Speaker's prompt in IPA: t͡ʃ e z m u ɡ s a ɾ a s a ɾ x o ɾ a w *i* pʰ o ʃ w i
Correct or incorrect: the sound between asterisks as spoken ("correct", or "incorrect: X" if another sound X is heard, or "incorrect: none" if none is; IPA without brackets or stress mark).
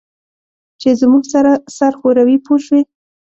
correct